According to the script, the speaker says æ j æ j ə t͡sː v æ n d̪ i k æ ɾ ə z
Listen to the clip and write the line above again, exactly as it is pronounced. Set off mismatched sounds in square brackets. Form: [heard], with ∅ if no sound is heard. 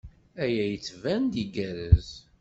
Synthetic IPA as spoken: æ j æ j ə t͡sː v æ n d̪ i [ɡ] æ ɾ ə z